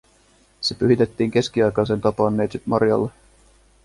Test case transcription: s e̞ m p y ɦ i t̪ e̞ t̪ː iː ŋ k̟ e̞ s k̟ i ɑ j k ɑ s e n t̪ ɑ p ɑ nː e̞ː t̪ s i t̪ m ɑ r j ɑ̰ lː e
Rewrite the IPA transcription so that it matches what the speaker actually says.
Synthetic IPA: s e̞ p y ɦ i t̪ e̞ t̪ː iː ŋ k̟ e̞ s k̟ i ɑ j k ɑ s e n t̪ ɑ p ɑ nː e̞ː t̪ s i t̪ m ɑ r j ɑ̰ lː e